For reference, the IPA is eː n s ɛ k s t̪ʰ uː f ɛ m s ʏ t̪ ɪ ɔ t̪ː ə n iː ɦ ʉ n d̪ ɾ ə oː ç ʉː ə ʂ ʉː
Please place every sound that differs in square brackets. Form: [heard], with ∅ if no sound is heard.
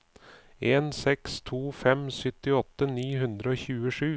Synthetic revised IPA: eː n s ɛ k s t̪ʰ uː f ɛ m s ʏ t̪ ɪ ɔ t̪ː ə n iː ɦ ʉ n d̪ ɾ ə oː ç ʉː ə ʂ ʉː